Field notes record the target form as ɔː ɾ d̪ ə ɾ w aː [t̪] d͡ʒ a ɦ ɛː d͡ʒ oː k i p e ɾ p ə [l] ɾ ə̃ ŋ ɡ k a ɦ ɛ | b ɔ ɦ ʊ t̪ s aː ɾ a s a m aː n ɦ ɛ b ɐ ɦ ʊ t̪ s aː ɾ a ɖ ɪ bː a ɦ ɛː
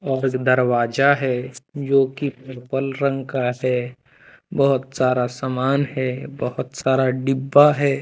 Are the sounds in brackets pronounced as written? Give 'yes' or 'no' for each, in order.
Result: no, yes

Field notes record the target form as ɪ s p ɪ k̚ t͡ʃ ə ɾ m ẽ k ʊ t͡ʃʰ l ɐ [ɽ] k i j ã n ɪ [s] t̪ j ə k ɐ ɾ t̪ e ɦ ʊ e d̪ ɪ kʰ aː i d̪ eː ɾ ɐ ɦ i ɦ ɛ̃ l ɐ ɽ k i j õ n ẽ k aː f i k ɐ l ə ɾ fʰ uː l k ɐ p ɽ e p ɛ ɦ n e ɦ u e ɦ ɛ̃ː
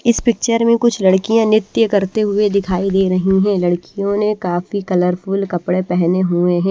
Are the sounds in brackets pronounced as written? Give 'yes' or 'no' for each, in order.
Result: yes, no

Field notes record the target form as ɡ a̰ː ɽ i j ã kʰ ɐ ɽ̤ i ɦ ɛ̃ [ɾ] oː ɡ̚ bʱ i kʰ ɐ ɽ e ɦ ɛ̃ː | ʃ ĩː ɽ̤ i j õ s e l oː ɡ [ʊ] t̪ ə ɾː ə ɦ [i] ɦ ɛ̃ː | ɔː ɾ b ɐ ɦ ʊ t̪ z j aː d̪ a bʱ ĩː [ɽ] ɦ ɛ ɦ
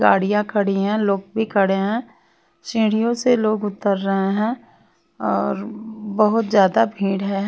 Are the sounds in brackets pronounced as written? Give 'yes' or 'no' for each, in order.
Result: no, yes, no, yes

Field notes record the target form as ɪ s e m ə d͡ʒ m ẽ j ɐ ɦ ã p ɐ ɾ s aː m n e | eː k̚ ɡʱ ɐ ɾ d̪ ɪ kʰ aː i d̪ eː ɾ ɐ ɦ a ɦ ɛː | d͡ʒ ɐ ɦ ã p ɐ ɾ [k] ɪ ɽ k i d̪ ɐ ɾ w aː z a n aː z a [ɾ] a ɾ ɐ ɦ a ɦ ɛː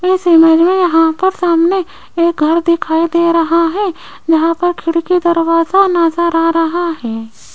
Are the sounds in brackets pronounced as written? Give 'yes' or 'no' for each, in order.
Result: no, yes

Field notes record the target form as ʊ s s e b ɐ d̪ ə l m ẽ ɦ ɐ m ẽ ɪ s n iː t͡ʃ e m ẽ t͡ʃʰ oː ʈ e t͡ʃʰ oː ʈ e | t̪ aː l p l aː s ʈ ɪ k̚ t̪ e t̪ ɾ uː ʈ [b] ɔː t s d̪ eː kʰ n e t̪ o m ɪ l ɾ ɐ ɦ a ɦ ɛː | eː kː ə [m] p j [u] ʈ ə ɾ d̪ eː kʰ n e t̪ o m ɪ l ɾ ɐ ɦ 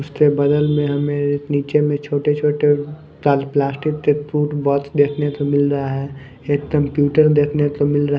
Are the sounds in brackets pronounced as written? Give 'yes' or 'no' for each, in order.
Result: yes, yes, no

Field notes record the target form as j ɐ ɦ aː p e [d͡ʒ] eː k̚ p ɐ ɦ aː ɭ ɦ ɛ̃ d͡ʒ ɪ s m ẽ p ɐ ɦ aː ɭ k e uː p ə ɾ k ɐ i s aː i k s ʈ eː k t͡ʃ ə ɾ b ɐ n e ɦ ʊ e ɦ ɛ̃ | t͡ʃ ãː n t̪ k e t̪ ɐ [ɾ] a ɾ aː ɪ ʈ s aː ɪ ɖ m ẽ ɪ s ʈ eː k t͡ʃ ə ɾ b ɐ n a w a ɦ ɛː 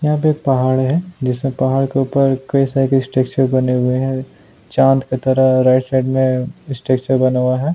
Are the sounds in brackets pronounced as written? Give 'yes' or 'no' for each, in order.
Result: no, yes

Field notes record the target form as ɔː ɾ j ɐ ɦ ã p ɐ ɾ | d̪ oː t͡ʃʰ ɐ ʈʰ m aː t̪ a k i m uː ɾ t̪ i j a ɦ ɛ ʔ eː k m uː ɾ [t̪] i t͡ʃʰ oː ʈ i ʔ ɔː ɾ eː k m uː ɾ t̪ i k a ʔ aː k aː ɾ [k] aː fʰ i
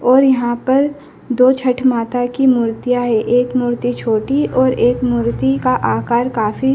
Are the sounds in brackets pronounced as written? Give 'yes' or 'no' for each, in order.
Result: yes, yes

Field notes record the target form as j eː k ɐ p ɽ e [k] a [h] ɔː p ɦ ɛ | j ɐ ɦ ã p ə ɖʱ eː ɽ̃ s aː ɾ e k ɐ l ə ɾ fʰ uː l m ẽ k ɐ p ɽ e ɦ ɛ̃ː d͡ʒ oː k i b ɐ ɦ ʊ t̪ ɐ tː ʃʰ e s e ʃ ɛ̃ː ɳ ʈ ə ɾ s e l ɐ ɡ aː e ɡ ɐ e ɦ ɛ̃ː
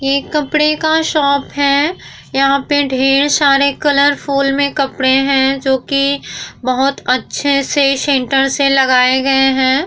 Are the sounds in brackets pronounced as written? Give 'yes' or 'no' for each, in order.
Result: yes, no

